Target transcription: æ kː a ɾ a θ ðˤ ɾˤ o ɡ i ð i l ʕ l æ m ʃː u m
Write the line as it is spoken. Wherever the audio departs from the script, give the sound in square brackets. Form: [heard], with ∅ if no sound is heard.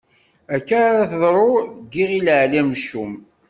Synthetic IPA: æ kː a ɾ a θ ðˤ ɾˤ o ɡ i [ʁ] i l ʕ l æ m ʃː u m